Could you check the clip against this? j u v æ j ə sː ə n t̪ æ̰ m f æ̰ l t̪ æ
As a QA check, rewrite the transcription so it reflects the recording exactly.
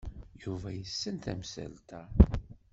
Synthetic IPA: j u v æ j ə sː ə n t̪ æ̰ m s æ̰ l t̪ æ

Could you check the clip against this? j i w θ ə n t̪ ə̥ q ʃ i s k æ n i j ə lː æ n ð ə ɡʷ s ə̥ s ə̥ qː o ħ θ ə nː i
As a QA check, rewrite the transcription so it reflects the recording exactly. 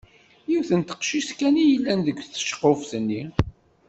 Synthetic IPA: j i w θ ə n t̪ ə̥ q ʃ i s k æ n i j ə lː æ n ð ə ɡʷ θ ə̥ ʃ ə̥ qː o f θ ə nː i

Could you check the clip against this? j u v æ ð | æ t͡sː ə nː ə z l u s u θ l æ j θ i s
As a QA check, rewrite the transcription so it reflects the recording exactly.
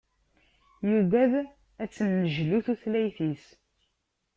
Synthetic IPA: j u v æ ð | æ t͡sː ə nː ə ʒ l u θ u θ l æ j θ i s

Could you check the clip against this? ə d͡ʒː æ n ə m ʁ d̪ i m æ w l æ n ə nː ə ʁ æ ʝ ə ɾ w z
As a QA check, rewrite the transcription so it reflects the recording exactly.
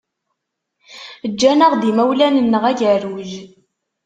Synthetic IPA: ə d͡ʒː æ n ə ʁ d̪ i m æ w l æ n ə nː ə ʁ æ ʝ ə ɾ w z

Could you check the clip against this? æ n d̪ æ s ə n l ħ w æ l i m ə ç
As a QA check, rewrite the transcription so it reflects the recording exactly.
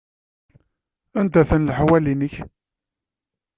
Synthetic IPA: æ n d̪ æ θ ə n l ħ w æ l i n ə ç

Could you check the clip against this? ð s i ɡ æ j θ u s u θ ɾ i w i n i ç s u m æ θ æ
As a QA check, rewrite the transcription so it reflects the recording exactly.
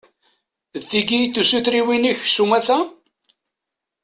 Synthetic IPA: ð θ i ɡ i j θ u s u θ ɾ i w i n i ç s u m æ θ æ

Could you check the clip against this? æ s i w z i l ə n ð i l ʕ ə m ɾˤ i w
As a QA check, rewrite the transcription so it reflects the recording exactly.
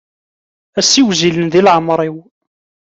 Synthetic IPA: æ s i w z i l ə n ð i l ʕ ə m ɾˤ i w

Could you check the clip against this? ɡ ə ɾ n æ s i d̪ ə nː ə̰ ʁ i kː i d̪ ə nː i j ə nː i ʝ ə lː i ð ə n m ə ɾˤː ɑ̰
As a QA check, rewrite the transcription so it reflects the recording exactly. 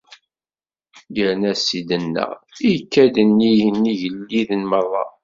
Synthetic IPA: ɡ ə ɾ n æ s i d̪ ə nː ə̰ ʁ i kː æ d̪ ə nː i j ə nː i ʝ ə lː i ð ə n m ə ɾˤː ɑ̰

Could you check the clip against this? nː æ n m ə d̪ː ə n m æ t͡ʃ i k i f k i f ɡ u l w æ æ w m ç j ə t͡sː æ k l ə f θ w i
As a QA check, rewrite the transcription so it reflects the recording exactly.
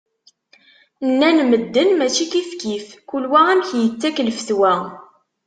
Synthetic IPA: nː æ n m ə d̪ː ə n m æ t͡ʃ i k i f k i f k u l w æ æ m ç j ə t͡sː æ k l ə f θ w æ

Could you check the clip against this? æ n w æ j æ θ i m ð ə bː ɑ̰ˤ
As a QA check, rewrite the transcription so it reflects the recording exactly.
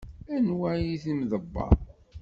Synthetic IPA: æ n w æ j i θ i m ð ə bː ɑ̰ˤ

